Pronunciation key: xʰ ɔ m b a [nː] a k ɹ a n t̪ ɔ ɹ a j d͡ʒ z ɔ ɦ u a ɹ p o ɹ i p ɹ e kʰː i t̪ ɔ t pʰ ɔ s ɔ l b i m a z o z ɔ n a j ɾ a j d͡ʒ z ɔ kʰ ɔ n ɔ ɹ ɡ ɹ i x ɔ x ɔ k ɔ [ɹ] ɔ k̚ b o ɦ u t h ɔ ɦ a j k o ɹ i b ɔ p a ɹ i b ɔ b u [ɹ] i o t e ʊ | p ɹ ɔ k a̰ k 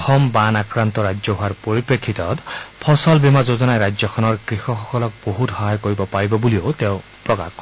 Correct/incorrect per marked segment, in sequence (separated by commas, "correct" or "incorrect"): incorrect, incorrect, incorrect